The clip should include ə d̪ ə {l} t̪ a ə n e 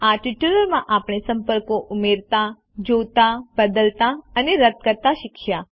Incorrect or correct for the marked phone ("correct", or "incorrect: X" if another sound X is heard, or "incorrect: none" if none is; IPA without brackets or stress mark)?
correct